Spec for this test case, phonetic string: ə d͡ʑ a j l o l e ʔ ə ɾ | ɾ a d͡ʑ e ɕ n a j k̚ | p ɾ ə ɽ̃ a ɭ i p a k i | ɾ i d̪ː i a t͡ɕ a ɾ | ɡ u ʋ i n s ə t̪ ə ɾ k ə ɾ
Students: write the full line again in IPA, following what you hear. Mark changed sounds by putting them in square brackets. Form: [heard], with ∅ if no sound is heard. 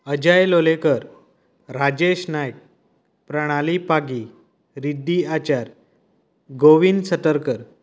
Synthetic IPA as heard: ə d͡ʑ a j l o l e [k] ə ɾ | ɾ a d͡ʑ e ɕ n a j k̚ | p ɾ ə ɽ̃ a [l] i p a [ɡ] i | ɾ i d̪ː i a t͡ɕ a ɾ | ɡ [o] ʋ i n s ə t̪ ə ɾ k ə ɾ

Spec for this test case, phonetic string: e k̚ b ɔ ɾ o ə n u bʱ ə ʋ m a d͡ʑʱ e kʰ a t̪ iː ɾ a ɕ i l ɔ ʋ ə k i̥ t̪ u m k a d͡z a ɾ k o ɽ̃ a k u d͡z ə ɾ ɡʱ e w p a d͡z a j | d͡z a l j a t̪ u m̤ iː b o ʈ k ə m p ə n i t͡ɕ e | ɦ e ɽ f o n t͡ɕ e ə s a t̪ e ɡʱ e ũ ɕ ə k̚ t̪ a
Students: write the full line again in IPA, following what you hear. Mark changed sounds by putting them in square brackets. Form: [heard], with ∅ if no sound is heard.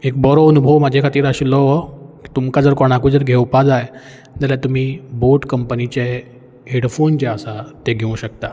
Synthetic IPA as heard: e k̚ b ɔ ɾ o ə n u bʱ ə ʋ m a d͡ʑʱ e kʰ a t̪ iː ɾ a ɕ i l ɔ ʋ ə k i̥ t̪ u m k a d͡z [ə] ɾ k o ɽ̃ a k u d͡z ə ɾ ɡʱ e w p a d͡z a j | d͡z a l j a t̪ u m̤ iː b o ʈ k ə m p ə n i t͡ɕ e | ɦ e ɽ f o n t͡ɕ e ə s a t̪ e ɡʱ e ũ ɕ ə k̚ t̪ a

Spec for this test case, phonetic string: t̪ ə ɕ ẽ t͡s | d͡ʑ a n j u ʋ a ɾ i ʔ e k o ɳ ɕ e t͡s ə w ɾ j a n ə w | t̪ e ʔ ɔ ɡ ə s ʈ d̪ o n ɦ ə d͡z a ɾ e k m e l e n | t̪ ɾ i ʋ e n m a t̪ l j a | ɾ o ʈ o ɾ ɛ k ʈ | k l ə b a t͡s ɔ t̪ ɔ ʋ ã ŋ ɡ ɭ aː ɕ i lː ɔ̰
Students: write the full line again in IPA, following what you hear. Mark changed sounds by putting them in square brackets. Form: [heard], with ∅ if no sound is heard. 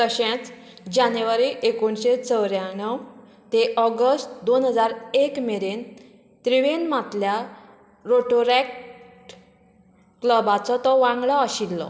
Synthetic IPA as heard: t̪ ə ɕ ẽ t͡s | d͡ʑ a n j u ʋ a ɾ i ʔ e k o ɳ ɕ e t͡s ə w ɾ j a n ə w | t̪ e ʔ ɔ ɡ ə s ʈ d̪ o n ɦ ə d͡z a ɾ e k m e [ɾ] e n | t̪ ɾ i ʋ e n m a t̪ l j a | ɾ o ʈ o ɾ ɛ k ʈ | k l ə b a t͡s ɔ t̪ ɔ ʋ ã ŋ ɡ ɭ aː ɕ i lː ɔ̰

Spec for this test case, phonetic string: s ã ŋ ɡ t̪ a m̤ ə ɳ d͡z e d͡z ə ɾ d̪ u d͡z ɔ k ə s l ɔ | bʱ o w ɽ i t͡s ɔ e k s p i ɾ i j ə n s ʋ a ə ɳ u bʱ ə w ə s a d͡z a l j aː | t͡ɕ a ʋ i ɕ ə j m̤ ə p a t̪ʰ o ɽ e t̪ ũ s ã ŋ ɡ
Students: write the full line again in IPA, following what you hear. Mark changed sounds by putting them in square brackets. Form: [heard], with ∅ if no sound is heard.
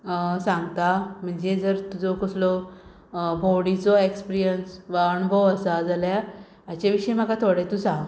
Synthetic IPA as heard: s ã ŋ ɡ t̪ a m̤ ə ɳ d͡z e d͡z ə ɾ [t̪] u d͡z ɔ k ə s l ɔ | bʱ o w ɽ i t͡s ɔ e k s p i ɾ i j ə n s ʋ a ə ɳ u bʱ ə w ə s a d͡z a l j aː | t͡ɕ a ʋ i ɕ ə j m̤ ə [k] a t̪ʰ o ɽ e t̪ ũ s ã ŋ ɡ

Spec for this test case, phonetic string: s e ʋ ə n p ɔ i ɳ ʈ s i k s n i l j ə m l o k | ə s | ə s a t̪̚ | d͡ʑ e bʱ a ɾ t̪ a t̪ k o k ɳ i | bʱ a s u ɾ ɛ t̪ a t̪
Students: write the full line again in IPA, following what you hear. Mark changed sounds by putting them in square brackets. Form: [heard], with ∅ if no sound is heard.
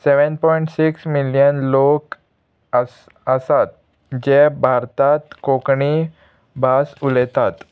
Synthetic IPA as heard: s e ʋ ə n p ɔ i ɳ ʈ s i k s [m] i l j ə [n] l o k | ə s | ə s a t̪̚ | d͡ʑ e bʱ a ɾ t̪ a t̪ k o k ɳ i | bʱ a s u [l] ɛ t̪ a t̪

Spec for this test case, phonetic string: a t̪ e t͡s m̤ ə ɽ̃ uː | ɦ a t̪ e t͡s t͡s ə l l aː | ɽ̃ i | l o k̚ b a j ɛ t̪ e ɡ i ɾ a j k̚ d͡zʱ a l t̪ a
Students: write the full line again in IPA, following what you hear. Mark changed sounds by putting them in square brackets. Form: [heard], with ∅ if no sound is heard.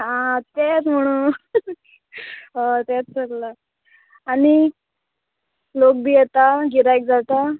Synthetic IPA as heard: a t̪ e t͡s m̤ ə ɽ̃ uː | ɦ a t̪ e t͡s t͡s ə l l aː | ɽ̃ i | l o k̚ b [i] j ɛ t̪ [a] ɡ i ɾ a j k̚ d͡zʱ a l t̪ a

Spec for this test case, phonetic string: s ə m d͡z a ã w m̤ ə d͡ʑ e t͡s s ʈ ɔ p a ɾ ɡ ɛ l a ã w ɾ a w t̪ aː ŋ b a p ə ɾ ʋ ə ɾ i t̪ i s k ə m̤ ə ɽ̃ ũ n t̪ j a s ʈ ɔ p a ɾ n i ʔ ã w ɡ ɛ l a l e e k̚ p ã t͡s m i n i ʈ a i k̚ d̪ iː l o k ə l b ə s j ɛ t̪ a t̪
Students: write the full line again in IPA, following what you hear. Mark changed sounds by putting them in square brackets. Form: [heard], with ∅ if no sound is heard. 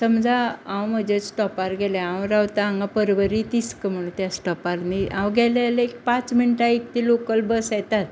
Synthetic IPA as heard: s ə m d͡z a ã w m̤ ə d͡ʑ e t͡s s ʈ ɔ p a ɾ ɡ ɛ l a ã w ɾ a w t̪ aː ŋ [ɡ] a p ə ɾ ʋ ə ɾ i t̪ i s k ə m̤ ə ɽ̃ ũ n t̪ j a s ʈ ɔ p a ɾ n i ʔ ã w ɡ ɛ l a l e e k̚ p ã t͡s m i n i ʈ a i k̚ [t̪] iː l o k ə l b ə s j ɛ t̪ a t̪

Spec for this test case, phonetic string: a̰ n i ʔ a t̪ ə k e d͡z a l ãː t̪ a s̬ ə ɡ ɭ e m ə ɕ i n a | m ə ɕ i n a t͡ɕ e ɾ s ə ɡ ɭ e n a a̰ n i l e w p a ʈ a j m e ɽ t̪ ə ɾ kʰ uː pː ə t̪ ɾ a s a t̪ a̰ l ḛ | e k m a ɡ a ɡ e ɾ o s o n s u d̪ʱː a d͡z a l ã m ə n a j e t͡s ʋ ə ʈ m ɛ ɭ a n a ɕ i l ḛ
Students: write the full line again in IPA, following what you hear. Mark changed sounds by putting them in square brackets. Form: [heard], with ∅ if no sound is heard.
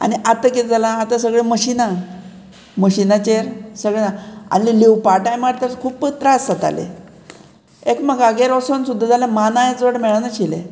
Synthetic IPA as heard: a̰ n i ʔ a t̪ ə k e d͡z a l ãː t̪ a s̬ ə ɡ ɭ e m ə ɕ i n a | m ə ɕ i n a t͡ɕ e ɾ s ə ɡ ɭ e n a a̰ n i l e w p a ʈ a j m [a] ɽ t̪ ə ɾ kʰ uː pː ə t̪ ɾ a s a t̪ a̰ l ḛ | e k m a ɡ a ɡ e ɾ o s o n s u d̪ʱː a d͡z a l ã m [a] n a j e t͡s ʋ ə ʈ m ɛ ɭ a n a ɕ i l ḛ

